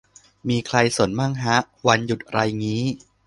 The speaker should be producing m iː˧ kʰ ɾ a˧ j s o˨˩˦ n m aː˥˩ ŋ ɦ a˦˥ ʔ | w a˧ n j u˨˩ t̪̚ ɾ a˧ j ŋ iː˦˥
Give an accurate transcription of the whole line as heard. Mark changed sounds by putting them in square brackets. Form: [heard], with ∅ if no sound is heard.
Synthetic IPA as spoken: m iː˧ kʰ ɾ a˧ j s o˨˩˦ n m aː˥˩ ŋ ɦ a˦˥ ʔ | w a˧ n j u˨˩ t̪̚ ɾ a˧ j ŋ iː˦˥